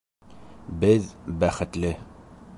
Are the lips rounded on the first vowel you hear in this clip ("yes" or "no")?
no